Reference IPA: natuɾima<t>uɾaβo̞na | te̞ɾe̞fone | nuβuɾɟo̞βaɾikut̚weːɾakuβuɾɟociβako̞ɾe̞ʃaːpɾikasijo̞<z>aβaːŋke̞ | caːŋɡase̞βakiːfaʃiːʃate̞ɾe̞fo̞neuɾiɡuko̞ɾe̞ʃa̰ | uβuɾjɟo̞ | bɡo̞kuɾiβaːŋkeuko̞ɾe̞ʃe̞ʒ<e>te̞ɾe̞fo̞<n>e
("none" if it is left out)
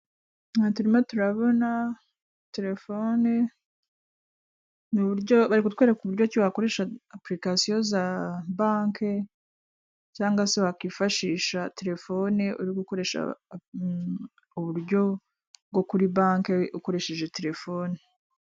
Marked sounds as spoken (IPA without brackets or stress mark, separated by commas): t, z, e, n